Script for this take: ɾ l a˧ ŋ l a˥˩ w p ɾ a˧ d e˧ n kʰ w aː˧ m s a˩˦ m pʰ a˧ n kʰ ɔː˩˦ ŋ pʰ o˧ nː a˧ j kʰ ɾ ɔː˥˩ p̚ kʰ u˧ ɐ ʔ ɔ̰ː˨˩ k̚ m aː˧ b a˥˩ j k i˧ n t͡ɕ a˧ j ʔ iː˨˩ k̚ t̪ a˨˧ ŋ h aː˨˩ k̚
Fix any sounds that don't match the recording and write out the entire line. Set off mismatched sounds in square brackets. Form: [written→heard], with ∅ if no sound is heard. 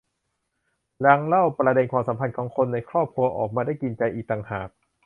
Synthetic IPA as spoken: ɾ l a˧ ŋ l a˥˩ w p ɾ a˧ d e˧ n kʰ w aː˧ m s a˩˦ m pʰ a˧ n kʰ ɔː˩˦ ŋ [pʰ→kʰ] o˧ nː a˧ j kʰ ɾ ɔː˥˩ p̚ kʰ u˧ ɐ ʔ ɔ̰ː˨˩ k̚ m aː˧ [b→d] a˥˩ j k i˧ n t͡ɕ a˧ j ʔ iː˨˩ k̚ t̪ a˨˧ ŋ h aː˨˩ k̚